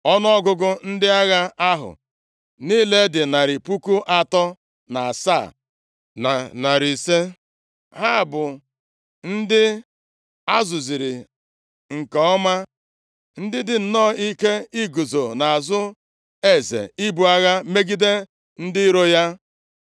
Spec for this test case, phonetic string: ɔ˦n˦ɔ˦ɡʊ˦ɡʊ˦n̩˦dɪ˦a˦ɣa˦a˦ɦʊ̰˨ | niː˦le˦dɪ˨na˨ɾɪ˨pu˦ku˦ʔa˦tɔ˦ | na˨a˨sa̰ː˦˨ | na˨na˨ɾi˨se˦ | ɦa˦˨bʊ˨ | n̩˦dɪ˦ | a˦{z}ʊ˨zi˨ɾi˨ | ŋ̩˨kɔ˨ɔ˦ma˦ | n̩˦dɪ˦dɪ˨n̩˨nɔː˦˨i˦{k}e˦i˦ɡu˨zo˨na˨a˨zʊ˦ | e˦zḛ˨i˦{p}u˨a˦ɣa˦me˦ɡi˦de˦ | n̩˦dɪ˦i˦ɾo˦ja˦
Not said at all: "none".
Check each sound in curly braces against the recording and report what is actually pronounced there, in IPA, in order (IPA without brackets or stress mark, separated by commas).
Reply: z, k, b